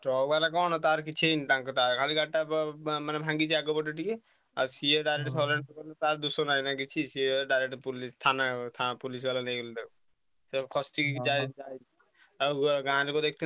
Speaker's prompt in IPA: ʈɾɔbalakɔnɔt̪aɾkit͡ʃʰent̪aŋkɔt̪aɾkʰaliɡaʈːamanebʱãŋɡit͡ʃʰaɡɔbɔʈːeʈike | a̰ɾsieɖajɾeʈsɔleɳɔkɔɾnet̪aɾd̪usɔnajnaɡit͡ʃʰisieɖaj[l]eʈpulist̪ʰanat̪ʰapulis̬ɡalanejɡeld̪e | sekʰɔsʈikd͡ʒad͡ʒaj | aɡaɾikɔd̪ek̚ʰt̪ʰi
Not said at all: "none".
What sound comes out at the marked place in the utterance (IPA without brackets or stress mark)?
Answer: ɾ